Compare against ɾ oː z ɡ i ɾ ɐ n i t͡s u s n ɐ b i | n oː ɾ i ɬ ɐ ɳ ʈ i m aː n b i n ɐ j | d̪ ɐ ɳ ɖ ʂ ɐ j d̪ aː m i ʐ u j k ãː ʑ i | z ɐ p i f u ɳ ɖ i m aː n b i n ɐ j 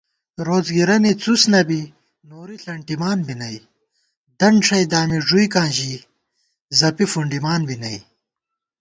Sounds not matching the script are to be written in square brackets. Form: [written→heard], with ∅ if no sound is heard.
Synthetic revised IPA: ɾ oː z ɡ i ɾ ɐ n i t͡s u s n ɐ b i | n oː ɾ i ɬ ɐ ɳ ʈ i m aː n b i n ɐ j | d̪ ɐ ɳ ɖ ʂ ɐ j d̪ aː m i ʐ u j k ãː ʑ i | z ɐ p i f u ɳ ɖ i m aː n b i n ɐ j